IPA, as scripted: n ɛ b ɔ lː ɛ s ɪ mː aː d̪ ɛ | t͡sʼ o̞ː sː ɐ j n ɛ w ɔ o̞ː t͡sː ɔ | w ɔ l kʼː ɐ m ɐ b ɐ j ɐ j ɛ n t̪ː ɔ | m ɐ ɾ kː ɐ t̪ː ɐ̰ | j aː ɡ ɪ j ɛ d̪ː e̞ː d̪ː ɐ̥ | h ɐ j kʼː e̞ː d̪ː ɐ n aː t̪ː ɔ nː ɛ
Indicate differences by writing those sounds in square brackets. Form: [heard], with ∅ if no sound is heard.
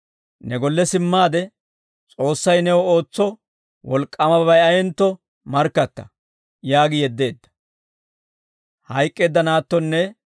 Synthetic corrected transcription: n ɛ [ɡ] ɔ lː ɛ s ɪ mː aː d̪ ɛ | t͡sʼ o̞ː sː ɐ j n ɛ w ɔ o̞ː t͡sː ɔ | w ɔ l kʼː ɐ m ɐ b ɐ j ɐ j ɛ n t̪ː ɔ | m ɐ ɾ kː ɐ t̪ː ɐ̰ | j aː ɡ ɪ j ɛ d̪ː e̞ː d̪ː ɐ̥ | h ɐ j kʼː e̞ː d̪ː ɐ n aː t̪ː ɔ nː ɛ